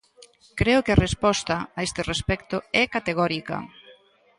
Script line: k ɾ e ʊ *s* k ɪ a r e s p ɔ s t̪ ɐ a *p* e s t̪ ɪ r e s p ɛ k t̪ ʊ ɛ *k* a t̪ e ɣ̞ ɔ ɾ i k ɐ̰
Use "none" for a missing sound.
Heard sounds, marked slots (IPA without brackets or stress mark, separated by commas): none, none, k